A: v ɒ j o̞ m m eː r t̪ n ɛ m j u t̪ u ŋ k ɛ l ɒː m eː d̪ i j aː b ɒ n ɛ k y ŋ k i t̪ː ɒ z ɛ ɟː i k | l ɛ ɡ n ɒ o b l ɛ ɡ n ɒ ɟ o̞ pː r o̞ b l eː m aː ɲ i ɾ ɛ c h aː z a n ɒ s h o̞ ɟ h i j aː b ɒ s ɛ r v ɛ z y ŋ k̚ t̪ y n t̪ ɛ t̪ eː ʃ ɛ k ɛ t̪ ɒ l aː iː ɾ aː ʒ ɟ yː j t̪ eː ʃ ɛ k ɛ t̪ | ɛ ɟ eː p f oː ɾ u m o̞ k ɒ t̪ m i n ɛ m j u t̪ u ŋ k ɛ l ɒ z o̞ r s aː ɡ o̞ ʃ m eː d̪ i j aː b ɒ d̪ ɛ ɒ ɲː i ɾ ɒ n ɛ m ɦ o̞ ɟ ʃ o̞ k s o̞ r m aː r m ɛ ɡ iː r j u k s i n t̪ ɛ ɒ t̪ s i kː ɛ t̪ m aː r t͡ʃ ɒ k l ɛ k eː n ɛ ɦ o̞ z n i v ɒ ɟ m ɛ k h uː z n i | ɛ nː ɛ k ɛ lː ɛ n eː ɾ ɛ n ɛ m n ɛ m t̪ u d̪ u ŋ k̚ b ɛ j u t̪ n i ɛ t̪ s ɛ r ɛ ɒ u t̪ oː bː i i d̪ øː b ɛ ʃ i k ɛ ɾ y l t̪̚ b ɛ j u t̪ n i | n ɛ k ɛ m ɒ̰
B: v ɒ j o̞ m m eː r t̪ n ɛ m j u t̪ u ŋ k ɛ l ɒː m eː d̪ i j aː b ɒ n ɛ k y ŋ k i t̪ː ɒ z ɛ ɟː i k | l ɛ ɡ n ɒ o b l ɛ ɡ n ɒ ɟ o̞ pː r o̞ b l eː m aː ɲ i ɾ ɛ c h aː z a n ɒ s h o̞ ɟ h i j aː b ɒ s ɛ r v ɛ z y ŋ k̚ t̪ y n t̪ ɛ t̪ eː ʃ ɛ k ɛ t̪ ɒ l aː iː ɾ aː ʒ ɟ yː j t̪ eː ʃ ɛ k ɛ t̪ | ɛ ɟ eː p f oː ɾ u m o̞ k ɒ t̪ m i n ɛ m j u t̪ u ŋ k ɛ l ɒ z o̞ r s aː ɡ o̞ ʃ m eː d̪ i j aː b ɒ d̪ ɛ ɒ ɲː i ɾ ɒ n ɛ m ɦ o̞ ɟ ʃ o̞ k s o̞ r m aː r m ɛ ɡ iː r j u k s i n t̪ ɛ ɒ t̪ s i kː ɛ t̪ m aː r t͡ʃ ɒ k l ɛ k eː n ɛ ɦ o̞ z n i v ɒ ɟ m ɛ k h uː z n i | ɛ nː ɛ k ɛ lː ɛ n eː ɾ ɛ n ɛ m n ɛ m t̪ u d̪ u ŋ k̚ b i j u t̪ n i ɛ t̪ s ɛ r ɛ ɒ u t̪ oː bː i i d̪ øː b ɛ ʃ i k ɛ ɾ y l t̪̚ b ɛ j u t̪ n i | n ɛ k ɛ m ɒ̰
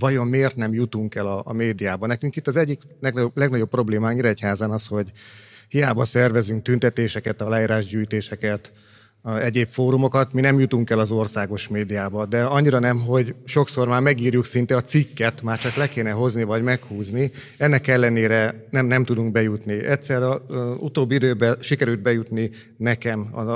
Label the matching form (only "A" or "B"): A